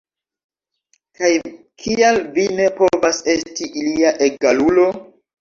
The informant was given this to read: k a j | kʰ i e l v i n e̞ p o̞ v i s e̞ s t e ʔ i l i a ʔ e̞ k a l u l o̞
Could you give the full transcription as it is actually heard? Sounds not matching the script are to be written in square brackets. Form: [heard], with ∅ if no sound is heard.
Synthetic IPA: k a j | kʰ i [a] l v i n e̞ p o̞ v [a] s e̞ s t [i] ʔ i l i a ʔ e̞ [ɡ] a l u l o̞